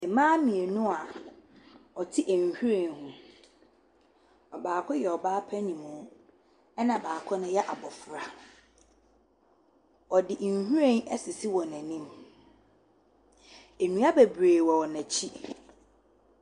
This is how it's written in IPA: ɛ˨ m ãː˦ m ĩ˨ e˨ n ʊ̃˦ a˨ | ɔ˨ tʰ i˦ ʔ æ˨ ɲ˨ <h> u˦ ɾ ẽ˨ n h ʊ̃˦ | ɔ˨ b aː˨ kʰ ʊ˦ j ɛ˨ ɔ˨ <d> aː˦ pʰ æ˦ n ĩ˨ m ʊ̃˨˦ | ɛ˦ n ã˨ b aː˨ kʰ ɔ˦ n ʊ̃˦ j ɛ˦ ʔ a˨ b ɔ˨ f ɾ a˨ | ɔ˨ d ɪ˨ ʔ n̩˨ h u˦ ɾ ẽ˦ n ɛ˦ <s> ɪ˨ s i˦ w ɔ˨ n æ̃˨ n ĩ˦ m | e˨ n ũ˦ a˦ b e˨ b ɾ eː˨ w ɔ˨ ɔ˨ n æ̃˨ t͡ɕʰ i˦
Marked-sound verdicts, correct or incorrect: correct, incorrect: b, correct

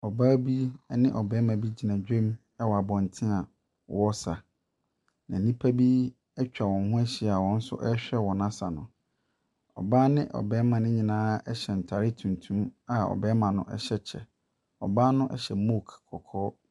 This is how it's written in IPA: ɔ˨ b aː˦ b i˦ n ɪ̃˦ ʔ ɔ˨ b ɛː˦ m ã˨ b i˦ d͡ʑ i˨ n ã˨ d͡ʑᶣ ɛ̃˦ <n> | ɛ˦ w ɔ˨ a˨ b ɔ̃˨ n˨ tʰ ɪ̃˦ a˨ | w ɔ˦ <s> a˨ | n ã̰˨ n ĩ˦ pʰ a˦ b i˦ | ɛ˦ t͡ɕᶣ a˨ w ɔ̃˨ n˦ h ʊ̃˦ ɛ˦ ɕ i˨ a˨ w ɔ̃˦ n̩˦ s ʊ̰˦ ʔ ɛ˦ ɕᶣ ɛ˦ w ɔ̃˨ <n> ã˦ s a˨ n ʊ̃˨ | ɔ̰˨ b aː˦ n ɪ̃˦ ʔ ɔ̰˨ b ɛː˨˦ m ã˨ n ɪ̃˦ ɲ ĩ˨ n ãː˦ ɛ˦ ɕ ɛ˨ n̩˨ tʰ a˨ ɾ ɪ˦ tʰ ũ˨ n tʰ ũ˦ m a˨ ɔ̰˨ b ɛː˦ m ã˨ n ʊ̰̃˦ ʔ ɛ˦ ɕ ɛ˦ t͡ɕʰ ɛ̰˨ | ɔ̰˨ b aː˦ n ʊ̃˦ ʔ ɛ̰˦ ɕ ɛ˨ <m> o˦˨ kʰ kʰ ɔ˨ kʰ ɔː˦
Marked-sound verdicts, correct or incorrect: incorrect: m, correct, correct, correct

